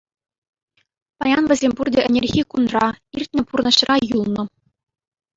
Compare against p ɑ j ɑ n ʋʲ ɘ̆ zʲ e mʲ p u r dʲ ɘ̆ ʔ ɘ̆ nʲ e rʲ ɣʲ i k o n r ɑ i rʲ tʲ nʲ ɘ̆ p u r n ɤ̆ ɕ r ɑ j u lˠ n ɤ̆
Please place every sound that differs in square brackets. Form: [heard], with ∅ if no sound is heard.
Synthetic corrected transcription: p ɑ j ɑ n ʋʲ ɘ̆ zʲ e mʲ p u r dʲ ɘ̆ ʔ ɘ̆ nʲ e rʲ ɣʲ i k [u] n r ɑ i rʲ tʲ nʲ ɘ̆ p u r n ɤ̆ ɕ r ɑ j u lˠ n ɤ̆

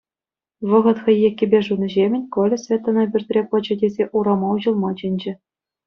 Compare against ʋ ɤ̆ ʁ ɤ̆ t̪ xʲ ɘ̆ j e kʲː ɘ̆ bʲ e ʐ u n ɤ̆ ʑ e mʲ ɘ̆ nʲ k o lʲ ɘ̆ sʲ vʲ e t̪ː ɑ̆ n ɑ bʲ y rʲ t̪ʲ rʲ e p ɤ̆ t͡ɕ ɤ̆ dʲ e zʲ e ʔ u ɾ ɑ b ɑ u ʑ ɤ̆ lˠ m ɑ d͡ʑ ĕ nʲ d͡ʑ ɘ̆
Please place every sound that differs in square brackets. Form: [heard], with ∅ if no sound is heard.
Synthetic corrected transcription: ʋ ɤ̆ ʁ ɤ̆ t̪ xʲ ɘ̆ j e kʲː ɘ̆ bʲ e ʐ u n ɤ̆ ʑ e mʲ ɘ̆ nʲ k o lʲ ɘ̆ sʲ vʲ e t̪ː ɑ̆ n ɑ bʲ y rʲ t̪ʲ rʲ e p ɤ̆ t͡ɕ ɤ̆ dʲ e zʲ e ʔ u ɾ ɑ [m] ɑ u ʑ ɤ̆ lˠ m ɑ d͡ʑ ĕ nʲ d͡ʑ ɘ̆

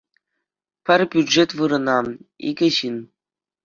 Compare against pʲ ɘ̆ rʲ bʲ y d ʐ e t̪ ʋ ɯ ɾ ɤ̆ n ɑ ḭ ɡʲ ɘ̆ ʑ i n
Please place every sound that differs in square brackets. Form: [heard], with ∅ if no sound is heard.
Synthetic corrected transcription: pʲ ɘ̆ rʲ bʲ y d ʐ e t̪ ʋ ɯ ɾ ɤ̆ n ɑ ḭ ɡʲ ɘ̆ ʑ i n

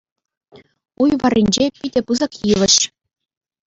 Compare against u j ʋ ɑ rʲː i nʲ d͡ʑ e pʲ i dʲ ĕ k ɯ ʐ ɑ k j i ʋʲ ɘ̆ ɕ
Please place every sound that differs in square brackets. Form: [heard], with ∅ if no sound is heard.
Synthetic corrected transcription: u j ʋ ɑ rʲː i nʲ d͡ʑ e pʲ i dʲ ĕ [p] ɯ [z] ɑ k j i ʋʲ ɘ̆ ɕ

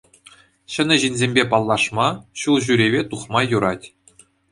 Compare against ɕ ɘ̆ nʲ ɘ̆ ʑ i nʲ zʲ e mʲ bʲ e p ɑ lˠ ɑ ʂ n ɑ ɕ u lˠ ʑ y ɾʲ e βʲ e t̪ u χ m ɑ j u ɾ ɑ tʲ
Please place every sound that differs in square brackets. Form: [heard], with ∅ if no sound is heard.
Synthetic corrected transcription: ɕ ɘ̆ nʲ ɘ̆ ʑ i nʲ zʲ e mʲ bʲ e p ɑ [lˠː] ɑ ʂ [m] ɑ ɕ u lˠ ʑ y ɾʲ e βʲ e t̪ u χ m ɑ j u ɾ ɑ tʲ

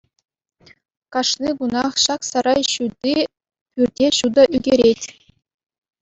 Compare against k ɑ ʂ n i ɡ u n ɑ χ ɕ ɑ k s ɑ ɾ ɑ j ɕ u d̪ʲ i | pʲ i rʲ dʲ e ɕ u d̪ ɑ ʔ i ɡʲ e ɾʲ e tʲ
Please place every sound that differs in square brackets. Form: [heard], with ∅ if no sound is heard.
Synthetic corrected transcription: k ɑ ʂ n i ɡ u n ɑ χ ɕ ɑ k s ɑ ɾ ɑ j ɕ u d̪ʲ i | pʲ [y] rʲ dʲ e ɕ u d̪ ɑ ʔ [y] ɡʲ e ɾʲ e tʲ

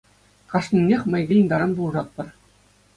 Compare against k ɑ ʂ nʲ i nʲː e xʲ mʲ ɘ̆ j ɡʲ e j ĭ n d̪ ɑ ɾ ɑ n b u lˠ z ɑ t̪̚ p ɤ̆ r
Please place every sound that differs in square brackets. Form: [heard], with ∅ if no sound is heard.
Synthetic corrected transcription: k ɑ ʂ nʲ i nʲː e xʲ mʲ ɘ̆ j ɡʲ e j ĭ n d̪ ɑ ɾ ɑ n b u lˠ [ʐ] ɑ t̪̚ p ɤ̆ r

